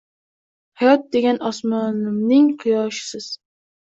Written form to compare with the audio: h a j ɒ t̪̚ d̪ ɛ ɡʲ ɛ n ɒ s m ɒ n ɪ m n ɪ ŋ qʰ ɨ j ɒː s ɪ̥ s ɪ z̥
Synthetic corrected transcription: h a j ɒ t̪̚ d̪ e ɡʲ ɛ n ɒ s m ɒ n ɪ m n ɪ ŋ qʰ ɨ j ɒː ʃ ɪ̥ s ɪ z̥

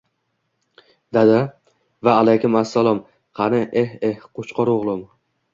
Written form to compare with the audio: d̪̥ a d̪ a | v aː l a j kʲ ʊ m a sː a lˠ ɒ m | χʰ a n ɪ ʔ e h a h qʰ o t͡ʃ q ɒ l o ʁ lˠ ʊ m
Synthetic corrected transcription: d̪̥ a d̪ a | v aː l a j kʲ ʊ m a sː a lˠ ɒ m | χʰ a n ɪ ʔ e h e h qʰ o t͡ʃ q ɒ ɾ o ʁ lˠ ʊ m

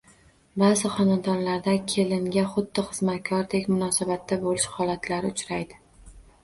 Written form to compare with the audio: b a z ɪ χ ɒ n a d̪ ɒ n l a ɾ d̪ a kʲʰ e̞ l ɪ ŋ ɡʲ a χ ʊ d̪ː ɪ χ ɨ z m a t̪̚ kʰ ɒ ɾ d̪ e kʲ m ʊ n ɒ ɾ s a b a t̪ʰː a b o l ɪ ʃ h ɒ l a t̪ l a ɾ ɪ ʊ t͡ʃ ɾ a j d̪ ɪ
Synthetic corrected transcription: b a z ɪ χ ɒ n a d̪ ɒ n l a ɾ d̪ a kʲʰ e̞ l ɪ ŋ ɡʲ a χ ʊ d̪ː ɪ χ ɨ z m a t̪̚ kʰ ɒ ɾ d̪ e kʲ m ʊ n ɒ s a b a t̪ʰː a b o l ɪ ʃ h ɒ l a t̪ l a ɾ ɪ ʊ t͡ʃ ɾ a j d̪ ɪ

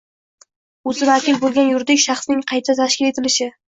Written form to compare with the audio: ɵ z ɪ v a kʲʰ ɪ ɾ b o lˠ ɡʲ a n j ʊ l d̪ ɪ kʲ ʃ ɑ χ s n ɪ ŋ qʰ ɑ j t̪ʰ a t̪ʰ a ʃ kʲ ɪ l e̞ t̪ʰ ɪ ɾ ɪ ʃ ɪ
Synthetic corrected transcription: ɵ z ɪ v a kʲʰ ɪ l b o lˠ ɡʲ a n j ʊ ɾ d̪ ɪ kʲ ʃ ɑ χ s n ɪ ŋ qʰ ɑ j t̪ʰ a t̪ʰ a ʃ kʲ ɪ l e̞ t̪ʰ ɪ l ɪ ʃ ɪ

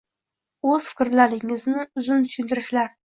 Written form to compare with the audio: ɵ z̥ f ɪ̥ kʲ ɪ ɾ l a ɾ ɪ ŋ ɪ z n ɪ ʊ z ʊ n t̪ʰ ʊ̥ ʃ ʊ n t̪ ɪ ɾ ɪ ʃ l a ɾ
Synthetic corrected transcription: ɵ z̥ f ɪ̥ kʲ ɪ ɾ l a ɾ ɪ ŋ ɪ z n ɪ ʊ z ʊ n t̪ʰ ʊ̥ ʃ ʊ n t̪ ɪ ɾ ɪ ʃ l a ɾ

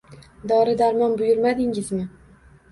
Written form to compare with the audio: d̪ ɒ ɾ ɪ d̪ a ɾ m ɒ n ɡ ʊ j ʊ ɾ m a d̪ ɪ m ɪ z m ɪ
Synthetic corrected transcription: d̪ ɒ ɾ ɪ d̪ a ɾ m ɒ n b ʊ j ʊ ɾ m a d̪ ɪ ŋ ɪ z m ɪ

